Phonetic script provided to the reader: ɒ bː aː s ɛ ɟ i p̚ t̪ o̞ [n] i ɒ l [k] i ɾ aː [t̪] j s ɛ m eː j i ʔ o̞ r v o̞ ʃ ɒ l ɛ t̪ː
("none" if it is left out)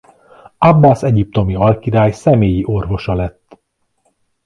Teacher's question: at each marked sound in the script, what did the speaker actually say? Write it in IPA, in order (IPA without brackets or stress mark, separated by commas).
m, k, none